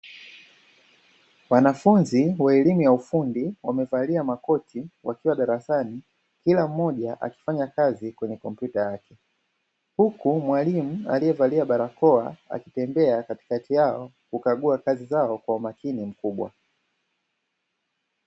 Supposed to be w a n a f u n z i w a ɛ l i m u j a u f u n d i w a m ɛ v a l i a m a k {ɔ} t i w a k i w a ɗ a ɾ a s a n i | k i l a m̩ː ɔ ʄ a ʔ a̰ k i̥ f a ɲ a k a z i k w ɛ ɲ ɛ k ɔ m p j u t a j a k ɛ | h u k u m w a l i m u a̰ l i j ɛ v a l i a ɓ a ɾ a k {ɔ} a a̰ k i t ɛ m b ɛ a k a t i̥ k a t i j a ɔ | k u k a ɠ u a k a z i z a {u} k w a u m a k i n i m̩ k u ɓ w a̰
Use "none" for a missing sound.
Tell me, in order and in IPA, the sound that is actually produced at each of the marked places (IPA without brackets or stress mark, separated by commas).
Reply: ɔ, ɔ, ɔ